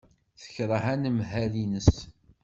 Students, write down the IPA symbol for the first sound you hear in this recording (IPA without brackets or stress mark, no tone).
θ